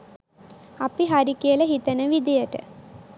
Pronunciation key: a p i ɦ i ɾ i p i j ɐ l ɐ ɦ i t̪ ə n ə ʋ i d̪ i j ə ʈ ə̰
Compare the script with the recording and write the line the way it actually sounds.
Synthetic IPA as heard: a p i ɦ a ɾ i k i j ə l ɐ ɦ i t̪ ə n ə ʋ i d̪ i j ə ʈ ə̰